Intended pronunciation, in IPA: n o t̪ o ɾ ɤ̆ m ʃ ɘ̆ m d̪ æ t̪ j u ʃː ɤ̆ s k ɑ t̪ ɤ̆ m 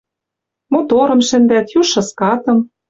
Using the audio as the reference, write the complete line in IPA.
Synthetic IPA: m o t̪ o ɾ ɤ̆ m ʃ ɘ̆ n d̪ æ t̪ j u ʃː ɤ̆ s k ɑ t̪ ɤ̆ m